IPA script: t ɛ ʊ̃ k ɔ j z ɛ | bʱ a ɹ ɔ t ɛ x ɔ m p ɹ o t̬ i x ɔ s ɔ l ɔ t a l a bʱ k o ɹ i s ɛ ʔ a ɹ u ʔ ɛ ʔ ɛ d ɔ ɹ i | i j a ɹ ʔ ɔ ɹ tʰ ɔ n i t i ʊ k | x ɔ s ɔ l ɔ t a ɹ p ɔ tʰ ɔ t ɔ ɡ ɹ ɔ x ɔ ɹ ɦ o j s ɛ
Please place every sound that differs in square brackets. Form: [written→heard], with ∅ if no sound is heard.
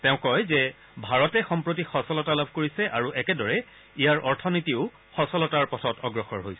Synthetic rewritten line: t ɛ ʊ̃ k ɔ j z ɛ | bʱ a ɹ ɔ t ɛ x ɔ m p ɹ o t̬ i x ɔ s ɔ l ɔ t a l a bʱ k o ɹ i s ɛ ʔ a ɹ u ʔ ɛ [ʔ→k] ɛ d ɔ ɹ [i→ɛ] | i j a ɹ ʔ ɔ ɹ tʰ ɔ n i t i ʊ [k→∅] | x ɔ s ɔ l ɔ t a ɹ p ɔ tʰ ɔ t ɔ ɡ ɹ ɔ x ɔ ɹ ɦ o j s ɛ